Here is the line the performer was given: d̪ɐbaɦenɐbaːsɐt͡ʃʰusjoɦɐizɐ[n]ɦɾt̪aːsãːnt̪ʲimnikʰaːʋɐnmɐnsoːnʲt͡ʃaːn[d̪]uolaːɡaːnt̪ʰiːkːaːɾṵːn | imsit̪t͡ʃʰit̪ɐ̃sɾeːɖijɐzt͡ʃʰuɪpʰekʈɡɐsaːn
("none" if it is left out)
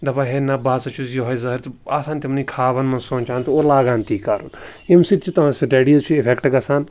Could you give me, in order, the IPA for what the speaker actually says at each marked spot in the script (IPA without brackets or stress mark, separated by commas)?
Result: none, t̪